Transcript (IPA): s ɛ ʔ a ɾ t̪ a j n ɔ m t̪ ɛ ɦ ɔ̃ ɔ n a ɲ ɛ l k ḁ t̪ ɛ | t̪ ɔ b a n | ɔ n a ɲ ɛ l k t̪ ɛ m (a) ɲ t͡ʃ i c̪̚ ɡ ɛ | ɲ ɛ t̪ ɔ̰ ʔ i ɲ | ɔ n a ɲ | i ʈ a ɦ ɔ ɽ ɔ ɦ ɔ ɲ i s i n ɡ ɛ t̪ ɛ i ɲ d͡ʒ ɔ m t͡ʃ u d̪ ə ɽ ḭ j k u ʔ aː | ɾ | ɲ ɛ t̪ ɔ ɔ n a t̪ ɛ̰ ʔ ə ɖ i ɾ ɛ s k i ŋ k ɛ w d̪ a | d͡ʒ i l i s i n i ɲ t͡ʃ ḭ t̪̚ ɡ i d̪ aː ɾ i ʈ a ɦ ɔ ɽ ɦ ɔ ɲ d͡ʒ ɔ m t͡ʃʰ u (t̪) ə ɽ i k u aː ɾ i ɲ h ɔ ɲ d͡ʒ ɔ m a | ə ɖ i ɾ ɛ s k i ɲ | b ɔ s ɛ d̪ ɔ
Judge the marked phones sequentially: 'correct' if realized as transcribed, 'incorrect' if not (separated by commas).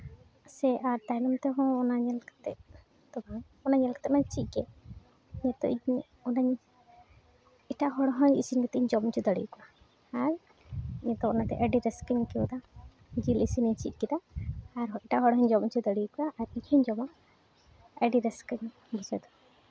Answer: correct, incorrect